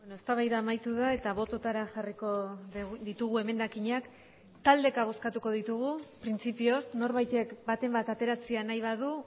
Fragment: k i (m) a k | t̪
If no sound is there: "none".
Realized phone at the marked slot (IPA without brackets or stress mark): ɲ